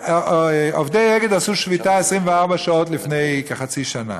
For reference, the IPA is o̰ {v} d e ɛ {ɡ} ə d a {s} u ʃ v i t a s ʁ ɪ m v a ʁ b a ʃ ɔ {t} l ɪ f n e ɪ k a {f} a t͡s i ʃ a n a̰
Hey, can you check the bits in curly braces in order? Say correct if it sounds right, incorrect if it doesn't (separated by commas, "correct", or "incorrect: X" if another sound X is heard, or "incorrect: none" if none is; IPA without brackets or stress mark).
incorrect: f, correct, correct, correct, incorrect: χ